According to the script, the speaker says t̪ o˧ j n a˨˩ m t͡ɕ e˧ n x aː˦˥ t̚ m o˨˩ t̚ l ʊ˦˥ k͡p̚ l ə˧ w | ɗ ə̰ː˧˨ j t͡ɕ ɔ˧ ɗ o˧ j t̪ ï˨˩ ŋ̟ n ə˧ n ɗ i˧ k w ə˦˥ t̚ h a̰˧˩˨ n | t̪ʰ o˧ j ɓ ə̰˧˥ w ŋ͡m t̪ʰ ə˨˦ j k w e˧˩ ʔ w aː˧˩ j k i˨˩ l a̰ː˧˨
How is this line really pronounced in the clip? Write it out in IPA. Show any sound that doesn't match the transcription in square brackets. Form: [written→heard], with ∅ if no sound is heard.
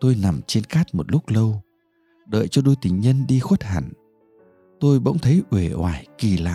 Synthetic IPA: t̪ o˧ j n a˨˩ m t͡ɕ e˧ n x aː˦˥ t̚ m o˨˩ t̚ l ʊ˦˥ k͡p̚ l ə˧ w | ɗ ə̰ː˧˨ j t͡ɕ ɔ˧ ɗ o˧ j t̪ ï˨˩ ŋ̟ [n→ɲ] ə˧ n ɗ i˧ [k→x] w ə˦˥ t̚ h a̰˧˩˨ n | [t̪ʰ→t̪] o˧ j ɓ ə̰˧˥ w ŋ͡m t̪ʰ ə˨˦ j [k→ʔ] w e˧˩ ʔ w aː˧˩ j k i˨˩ l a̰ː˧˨